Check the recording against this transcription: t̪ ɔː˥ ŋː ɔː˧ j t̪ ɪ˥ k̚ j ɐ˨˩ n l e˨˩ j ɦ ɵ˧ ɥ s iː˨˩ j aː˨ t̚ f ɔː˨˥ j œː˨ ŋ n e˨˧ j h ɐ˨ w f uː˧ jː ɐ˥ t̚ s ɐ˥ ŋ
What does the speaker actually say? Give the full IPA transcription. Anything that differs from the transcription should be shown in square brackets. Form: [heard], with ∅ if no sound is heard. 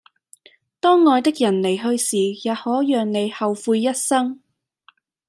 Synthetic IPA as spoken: t̪ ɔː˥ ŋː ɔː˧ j t̪ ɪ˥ k̚ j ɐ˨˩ n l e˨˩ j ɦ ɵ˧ ɥ s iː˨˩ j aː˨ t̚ [h] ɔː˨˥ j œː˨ ŋ n e˨˧ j h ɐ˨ w f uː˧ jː ɐ˥ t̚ s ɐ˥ ŋ